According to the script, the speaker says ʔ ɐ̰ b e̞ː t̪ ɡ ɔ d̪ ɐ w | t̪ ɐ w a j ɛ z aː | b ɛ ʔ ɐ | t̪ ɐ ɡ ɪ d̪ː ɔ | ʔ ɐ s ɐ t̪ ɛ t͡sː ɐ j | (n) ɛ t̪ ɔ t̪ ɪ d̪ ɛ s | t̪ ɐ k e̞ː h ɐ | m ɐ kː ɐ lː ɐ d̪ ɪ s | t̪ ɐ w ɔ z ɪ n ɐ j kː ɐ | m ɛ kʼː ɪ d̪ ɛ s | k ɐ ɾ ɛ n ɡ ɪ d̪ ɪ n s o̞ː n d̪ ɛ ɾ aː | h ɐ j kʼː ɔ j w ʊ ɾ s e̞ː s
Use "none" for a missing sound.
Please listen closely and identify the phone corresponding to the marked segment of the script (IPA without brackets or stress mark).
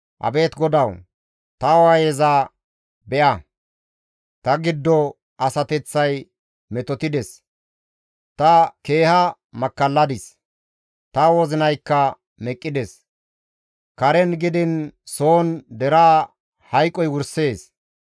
m